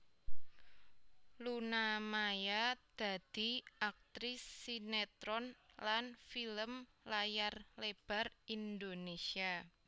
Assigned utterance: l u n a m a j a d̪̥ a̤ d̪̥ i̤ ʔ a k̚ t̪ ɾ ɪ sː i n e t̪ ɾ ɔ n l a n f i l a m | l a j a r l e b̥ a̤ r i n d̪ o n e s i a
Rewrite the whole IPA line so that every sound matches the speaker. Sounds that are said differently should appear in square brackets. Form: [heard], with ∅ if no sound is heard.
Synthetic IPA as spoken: l u n a m a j a d̪̥ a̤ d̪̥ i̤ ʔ a k̚ t̪ ɾ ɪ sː i n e t̪ ɾ ɔ n l a n f i l [ə] m | l a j a r l e b̥ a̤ r i n d̪ o n e s i a

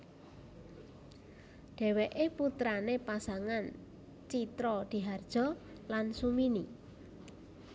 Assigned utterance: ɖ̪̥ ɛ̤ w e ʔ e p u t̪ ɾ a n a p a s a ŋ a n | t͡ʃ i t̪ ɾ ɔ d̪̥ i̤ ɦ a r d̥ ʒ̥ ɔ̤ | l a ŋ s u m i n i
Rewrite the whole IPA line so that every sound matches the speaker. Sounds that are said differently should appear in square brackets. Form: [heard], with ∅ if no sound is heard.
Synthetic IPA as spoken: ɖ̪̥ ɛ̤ w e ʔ e p u t̪ ɾ a n [e] p a s a ŋ a n | t͡ʃ i t̪ ɾ ɔ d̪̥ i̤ ɦ a r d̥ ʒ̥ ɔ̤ | l a [n] s u m i n i

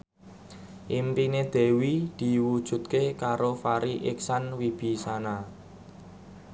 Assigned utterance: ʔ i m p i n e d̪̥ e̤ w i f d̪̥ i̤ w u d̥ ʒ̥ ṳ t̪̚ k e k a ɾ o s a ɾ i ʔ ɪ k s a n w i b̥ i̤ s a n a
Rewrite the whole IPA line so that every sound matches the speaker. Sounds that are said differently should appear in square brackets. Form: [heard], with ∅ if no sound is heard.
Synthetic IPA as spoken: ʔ i m p i n e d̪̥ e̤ w i [∅] d̪̥ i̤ w u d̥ ʒ̥ ṳ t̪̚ k e k a ɾ o [f] a ɾ i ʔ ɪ k s a n w i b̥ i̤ s a n a

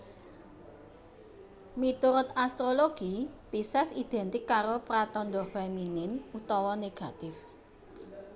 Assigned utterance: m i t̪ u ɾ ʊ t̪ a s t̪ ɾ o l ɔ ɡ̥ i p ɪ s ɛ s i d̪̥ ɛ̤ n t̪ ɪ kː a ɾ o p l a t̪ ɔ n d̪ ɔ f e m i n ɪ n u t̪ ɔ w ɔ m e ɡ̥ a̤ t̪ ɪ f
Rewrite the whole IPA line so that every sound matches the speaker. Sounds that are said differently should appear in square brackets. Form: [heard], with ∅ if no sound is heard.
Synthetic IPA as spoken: m i t̪ u ɾ ʊ t̪ a s t̪ ɾ o l [o] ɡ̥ i p [i] s ɛ s i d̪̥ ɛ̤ n t̪ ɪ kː a ɾ o p [ɾ] a t̪ ɔ n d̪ ɔ f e m i n ɪ n u t̪ ɔ w ɔ [n] e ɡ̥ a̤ t̪ ɪ f

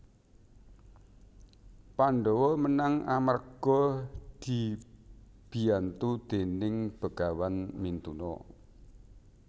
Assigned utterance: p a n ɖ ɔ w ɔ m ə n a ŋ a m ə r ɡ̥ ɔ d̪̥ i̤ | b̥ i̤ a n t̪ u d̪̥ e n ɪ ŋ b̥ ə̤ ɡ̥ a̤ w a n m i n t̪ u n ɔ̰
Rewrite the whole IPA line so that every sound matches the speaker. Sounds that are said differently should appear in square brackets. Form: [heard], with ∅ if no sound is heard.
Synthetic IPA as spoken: p a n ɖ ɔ w ɔ m ə n a ŋ a m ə r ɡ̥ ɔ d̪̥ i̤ | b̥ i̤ a n t̪ u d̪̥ e n ɪ ŋ b̥ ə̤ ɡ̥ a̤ w a n m i n t̪ u n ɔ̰

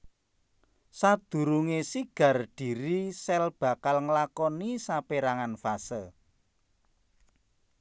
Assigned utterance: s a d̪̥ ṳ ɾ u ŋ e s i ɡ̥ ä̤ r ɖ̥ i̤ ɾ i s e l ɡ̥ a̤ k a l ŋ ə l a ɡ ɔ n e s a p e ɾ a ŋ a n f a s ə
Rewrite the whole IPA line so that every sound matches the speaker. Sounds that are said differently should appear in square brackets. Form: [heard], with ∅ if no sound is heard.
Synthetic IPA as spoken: s a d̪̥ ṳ ɾ u ŋ e s i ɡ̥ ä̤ r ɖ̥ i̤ ɾ i s [ɛ] l [b̥] a̤ k a l ŋ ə l a [k] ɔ n [i] s a p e ɾ a ŋ a n f a s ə

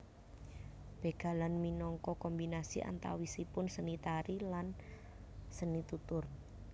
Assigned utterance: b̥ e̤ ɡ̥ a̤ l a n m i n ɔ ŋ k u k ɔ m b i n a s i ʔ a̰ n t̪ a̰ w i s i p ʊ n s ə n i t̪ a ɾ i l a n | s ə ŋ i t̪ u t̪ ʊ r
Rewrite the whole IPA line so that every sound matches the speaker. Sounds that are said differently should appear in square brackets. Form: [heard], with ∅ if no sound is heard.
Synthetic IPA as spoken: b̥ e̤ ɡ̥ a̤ l a n m i n ɔ ŋ k [ɔ] k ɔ m b i n a s i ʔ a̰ n t̪ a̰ w i s i p ʊ n s ə n i t̪ a ɾ i l a n | s ə [n] i t̪ u t̪ ʊ r

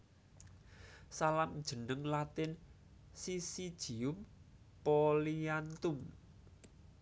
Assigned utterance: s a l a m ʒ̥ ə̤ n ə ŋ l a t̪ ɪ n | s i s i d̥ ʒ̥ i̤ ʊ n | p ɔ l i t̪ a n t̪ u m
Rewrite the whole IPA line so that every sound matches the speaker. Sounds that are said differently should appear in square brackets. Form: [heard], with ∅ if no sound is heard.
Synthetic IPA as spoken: s a l a m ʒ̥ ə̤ n ə ŋ l a t̪ ɪ n | s i s i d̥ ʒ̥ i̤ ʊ [m] | p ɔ l i [∅] a n t̪ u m

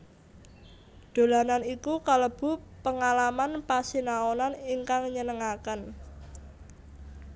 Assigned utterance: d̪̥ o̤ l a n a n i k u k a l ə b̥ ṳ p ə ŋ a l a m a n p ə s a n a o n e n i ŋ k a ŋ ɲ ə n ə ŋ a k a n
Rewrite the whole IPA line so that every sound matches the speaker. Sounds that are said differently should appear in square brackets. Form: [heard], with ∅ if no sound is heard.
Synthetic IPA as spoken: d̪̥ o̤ l a n a n i k u k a l ə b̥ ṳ p ə ŋ a l a m a n p [a] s [i] n a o n [a] n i ŋ k a ŋ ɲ ə n ə ŋ a k [ə] n

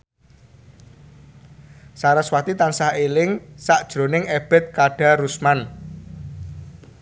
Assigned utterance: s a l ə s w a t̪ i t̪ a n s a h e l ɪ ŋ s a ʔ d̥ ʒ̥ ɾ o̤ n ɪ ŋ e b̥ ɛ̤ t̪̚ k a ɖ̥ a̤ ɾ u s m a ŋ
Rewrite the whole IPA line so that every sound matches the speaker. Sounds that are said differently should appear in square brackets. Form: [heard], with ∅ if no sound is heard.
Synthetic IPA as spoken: s a [ɾ] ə s w a t̪ i t̪ a n s a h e l ɪ ŋ s a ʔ d̥ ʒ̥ ɾ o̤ n ɪ ŋ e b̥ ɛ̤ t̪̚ k a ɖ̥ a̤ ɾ u s m a [n]

